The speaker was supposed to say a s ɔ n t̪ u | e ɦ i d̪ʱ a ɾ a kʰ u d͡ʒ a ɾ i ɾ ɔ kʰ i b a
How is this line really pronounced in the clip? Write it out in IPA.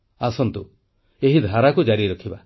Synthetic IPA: a s ɔ n t̪ u | e ɦ i d̪ʱ a ɾ a k u d͡ʒ a ɾ i ɾ ɔ kʰ i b a